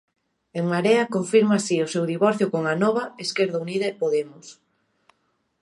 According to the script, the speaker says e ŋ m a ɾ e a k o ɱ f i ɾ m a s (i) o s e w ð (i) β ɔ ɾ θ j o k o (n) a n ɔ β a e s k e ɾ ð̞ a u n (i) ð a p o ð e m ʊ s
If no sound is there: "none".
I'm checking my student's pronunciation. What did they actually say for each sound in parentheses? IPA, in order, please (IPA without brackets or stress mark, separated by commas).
i, i, ŋ, i